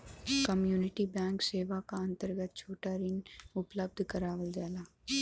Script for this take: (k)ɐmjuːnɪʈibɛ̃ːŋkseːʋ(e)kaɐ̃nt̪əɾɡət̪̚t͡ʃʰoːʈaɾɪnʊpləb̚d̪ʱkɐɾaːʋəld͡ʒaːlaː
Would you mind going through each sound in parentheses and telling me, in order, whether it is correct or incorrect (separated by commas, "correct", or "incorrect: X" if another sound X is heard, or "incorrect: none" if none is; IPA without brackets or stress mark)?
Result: correct, incorrect: a